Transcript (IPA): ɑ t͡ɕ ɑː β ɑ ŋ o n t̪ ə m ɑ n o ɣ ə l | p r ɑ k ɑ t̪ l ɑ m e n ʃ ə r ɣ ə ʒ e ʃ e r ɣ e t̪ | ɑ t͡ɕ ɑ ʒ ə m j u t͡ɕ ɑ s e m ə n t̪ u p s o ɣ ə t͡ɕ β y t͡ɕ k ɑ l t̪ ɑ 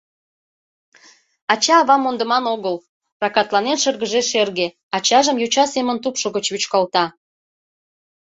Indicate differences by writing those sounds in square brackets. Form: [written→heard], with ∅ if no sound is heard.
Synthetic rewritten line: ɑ t͡ɕ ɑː β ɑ [ŋ→m] o n [t̪→d̪] ə m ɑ n o ɣ ə l | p r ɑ k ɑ t̪ l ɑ [m→n] e n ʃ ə r ɣ ə ʒ e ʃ e r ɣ e [t̪→∅] | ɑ t͡ɕ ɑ ʒ ə m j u t͡ɕ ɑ s e m ə n t̪ u p [s→ʃ] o ɣ ə t͡ɕ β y t͡ɕ k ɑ l t̪ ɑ